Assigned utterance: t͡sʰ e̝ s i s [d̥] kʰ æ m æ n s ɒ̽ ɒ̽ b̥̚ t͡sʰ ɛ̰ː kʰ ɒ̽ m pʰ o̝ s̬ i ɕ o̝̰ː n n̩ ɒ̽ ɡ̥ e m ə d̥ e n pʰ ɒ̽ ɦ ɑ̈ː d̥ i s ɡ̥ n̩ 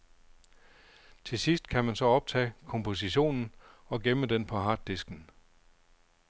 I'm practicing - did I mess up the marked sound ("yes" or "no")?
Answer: no